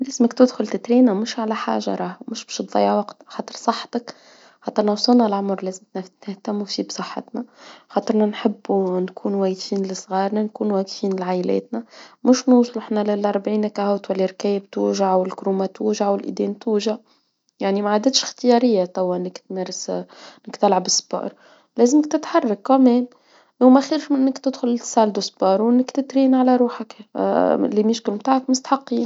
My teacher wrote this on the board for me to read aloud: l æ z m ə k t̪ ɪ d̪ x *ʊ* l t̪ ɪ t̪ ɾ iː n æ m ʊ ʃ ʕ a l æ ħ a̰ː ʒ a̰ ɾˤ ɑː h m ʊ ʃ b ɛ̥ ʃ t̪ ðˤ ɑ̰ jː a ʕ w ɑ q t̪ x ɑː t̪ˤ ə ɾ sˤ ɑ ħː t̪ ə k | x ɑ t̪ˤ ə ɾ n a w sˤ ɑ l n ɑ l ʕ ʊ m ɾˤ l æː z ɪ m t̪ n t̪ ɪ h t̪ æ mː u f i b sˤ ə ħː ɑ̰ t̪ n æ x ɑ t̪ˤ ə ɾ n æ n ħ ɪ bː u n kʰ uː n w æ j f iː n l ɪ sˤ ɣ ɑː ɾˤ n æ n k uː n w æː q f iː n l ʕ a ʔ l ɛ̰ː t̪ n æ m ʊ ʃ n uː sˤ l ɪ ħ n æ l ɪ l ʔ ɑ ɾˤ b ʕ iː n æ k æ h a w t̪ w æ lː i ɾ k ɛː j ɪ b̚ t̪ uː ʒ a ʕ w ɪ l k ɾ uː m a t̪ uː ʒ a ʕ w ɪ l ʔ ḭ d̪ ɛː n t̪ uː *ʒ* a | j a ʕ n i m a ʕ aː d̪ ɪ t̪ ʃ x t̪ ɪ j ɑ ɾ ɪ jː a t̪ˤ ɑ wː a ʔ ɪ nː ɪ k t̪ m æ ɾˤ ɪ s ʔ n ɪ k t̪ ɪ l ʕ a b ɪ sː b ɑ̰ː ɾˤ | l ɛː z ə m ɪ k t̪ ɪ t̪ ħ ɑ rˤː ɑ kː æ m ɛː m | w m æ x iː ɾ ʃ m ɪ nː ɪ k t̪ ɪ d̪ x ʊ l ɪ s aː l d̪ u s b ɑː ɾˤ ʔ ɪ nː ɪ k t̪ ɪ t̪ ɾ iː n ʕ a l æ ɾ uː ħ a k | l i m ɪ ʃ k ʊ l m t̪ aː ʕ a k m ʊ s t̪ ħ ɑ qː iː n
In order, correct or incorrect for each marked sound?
correct, correct

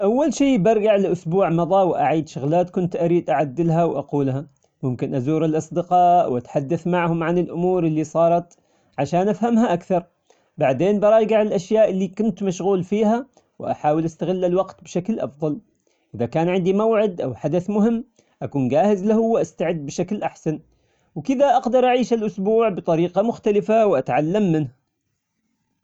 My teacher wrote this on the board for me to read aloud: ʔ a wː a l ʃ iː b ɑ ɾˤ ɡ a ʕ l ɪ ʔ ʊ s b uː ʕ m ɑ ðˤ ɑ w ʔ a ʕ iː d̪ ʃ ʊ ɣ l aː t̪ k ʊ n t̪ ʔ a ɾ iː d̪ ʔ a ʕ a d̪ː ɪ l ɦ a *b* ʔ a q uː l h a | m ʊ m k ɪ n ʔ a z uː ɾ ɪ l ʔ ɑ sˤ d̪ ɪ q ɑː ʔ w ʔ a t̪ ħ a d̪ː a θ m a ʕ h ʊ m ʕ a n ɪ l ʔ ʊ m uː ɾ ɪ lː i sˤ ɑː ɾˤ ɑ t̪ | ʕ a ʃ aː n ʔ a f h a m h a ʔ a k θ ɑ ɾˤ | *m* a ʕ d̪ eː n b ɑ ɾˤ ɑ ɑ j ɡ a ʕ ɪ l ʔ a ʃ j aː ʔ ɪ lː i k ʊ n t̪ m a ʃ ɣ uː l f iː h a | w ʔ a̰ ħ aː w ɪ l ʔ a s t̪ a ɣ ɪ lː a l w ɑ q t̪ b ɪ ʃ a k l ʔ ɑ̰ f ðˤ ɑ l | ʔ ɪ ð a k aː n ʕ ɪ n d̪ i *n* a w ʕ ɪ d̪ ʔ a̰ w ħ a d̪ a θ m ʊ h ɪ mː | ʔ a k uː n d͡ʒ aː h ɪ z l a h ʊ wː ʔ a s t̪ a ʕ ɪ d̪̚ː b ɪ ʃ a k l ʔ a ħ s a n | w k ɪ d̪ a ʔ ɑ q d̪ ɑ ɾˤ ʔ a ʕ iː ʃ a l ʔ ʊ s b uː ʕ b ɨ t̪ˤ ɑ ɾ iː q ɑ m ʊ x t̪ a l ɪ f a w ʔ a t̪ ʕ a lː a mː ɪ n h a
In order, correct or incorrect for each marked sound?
incorrect, incorrect, incorrect

